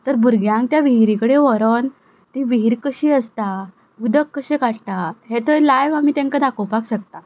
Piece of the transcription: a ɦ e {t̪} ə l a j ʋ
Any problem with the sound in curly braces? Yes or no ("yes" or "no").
no